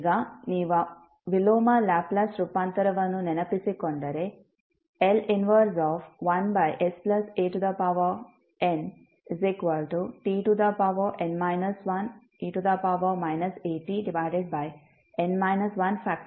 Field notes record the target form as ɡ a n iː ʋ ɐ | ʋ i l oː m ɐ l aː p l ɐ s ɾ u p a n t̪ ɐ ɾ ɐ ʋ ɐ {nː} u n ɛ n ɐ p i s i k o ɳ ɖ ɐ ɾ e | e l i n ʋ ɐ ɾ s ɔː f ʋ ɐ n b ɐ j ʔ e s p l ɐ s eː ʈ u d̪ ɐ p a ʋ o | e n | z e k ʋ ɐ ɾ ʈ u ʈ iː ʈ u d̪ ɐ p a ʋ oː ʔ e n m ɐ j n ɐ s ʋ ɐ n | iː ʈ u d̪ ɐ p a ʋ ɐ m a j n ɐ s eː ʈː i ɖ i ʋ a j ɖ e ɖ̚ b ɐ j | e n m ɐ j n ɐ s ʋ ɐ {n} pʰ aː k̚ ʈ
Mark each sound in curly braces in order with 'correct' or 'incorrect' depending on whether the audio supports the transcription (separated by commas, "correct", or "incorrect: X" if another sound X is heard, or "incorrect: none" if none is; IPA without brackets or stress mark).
incorrect: n, correct